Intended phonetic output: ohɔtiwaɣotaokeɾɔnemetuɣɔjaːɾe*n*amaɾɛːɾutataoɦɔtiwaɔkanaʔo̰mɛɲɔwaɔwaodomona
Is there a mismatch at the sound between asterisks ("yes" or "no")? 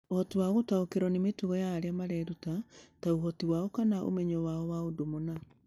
yes